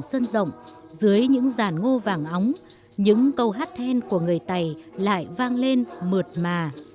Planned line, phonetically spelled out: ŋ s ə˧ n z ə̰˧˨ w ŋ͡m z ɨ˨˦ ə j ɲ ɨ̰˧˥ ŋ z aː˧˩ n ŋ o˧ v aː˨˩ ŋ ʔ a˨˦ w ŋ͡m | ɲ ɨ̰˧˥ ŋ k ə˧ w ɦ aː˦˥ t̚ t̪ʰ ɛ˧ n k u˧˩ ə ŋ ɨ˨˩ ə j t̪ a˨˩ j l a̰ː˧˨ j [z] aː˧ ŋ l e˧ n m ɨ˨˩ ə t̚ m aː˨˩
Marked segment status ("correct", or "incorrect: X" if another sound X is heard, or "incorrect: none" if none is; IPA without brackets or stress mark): incorrect: v